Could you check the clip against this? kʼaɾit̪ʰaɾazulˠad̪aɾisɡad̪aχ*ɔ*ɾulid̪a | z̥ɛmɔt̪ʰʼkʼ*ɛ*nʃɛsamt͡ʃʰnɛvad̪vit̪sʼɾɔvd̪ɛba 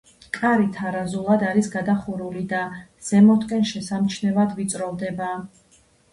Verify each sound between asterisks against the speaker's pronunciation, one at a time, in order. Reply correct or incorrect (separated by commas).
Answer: incorrect, correct